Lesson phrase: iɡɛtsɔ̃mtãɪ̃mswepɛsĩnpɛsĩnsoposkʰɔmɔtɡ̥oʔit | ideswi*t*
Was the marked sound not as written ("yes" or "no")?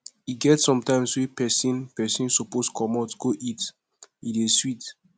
no